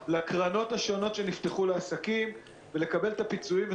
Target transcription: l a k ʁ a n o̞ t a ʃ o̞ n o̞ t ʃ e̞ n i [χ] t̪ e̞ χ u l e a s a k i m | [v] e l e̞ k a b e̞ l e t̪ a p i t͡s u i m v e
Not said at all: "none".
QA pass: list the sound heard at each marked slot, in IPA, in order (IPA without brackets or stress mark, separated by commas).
f, v